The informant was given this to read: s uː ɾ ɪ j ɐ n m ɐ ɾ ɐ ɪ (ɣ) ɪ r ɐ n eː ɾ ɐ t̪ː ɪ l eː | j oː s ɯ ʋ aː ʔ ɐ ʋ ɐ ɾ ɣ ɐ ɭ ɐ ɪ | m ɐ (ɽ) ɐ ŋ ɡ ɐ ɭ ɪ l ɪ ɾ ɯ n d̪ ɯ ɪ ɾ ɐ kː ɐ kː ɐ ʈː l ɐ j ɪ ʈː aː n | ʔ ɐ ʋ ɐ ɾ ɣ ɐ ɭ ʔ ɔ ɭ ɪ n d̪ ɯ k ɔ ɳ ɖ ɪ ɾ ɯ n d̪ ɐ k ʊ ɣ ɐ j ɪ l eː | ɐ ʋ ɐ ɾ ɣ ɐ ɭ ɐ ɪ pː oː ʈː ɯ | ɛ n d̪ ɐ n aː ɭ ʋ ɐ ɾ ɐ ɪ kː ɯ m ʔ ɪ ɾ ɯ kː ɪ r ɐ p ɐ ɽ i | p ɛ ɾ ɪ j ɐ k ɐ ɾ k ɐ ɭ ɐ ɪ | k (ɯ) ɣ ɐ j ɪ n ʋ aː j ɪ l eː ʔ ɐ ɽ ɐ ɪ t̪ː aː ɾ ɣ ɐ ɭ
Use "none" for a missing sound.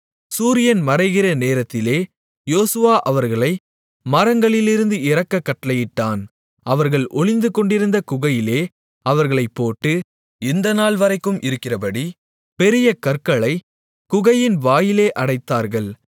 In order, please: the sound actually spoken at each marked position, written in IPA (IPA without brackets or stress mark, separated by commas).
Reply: ɣ, ɾ, ʊ